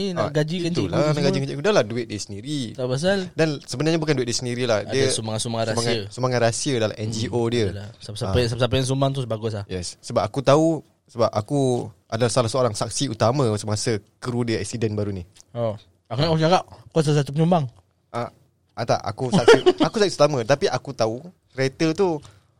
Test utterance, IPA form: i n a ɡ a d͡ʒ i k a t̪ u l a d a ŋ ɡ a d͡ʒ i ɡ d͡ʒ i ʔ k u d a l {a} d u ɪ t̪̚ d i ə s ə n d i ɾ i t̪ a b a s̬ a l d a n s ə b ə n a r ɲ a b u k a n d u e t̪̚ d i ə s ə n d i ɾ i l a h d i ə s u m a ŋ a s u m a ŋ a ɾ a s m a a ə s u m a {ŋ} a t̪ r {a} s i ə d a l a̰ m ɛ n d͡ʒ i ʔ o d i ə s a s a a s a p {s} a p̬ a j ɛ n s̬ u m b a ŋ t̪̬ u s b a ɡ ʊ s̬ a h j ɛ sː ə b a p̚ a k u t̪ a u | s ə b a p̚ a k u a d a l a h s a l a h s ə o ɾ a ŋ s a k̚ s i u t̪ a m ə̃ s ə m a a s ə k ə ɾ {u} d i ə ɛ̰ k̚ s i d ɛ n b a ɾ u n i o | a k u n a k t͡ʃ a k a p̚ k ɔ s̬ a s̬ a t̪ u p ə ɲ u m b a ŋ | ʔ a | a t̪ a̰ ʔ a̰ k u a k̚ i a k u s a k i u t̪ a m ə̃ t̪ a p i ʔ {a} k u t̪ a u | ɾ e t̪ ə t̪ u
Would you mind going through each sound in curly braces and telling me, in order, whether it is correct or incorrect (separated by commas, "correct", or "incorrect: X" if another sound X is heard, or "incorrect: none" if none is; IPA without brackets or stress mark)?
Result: correct, correct, correct, correct, correct, correct